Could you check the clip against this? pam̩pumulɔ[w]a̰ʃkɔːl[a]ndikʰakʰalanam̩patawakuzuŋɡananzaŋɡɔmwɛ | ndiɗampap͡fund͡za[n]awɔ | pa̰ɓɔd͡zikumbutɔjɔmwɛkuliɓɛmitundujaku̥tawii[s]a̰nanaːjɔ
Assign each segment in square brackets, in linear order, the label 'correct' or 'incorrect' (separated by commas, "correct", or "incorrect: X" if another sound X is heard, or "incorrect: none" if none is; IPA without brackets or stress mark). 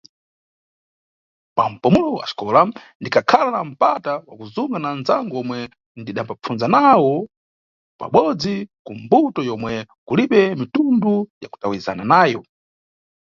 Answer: correct, correct, correct, incorrect: z